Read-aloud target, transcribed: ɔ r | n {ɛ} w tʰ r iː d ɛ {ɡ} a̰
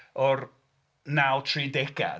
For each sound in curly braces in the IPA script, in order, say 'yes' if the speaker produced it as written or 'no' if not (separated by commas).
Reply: no, yes